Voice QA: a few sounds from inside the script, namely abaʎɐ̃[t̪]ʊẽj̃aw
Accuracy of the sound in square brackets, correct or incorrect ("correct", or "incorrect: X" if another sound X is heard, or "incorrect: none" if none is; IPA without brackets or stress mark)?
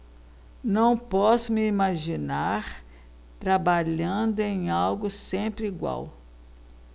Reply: incorrect: d̪